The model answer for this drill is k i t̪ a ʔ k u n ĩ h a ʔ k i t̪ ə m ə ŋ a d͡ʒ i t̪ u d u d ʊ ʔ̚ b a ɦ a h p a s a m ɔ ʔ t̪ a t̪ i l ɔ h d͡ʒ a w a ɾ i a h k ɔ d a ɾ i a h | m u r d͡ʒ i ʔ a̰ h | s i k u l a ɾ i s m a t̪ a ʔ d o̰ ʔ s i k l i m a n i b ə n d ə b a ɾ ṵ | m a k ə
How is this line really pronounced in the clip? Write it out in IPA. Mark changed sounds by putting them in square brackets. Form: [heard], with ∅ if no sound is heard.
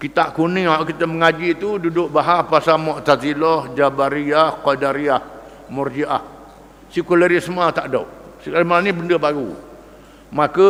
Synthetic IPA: k i t̪ a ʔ k u n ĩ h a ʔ k i t̪ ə m ə ŋ a d͡ʒ i t̪ u d u d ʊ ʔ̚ b a ɦ a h p a s a m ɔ ʔ t̪ a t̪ i l ɔ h d͡ʒ a [b] a ɾ i a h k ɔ d a ɾ i a h | m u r d͡ʒ i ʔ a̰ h | s i k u l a ɾ i s m a t̪ a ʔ d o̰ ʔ s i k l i m a n i b ə n d ə b a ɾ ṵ | m a k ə